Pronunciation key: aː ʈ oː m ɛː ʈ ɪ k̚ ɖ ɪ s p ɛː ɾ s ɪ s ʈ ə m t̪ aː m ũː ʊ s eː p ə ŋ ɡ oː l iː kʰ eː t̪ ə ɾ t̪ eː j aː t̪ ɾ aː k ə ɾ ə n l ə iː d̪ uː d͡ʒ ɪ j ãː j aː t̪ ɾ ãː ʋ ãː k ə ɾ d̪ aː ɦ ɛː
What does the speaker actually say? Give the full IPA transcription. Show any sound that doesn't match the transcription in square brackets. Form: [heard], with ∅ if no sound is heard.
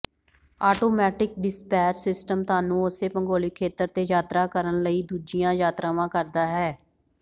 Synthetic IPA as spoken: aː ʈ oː m ɛː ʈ ɪ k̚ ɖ ɪ s p ɛː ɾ s ɪ s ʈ ə m t̪ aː [n] ũː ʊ s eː p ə ŋ ɡ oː l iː kʰ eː t̪ ə ɾ t̪ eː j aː t̪ ɾ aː k ə ɾ ə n l ə iː d̪ uː d͡ʒ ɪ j ãː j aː t̪ ɾ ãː ʋ ãː k ə ɾ d̪ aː ɦ ɛː